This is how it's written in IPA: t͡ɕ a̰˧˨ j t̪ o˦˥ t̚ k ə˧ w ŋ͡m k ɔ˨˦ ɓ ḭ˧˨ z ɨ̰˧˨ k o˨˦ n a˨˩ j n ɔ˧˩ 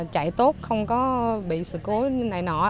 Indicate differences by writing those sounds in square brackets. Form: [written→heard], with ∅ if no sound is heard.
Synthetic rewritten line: t͡ɕ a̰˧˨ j t̪ o˦˥ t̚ [k→x] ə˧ w ŋ͡m k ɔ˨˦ ɓ ḭ˧˨ [z→s] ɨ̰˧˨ k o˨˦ n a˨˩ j n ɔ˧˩